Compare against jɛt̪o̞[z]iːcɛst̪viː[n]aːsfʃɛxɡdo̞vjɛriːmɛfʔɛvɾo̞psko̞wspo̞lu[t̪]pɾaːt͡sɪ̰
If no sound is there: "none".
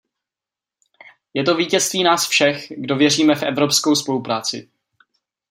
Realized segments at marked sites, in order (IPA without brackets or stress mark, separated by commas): v, n, none